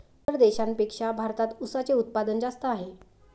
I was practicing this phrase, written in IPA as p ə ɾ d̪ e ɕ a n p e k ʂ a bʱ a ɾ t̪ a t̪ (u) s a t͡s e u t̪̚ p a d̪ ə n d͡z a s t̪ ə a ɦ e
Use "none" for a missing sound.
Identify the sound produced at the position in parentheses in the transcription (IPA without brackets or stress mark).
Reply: u